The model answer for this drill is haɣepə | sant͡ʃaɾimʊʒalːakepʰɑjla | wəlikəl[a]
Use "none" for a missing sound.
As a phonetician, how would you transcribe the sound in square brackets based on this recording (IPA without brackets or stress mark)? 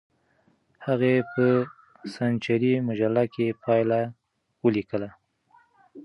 a